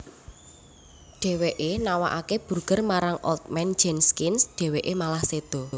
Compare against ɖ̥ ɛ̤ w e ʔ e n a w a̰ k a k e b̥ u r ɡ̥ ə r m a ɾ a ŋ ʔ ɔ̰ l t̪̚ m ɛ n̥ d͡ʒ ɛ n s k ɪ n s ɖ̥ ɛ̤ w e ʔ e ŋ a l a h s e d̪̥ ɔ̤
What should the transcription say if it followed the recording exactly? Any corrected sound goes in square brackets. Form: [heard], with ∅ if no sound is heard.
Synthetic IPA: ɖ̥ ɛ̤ w e ʔ e n a w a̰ [ʔ] a k e b̥ u r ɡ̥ ə r m a ɾ a ŋ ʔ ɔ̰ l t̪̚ m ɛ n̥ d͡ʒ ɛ n s k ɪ n s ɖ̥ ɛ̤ w e ʔ e [m] a l a h s e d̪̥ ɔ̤